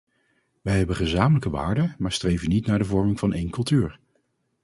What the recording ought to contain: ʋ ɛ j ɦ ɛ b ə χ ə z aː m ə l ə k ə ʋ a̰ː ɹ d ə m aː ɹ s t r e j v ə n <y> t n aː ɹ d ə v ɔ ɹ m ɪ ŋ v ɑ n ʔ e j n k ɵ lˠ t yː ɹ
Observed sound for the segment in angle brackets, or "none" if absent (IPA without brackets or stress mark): i